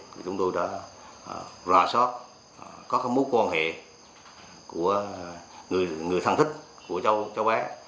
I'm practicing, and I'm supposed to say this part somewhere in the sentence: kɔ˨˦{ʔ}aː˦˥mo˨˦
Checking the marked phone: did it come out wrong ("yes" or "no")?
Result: yes